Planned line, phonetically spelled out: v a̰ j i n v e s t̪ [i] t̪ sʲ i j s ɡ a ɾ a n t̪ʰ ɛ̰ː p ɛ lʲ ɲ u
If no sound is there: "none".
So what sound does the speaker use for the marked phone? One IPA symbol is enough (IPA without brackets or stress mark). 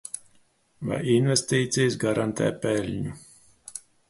iː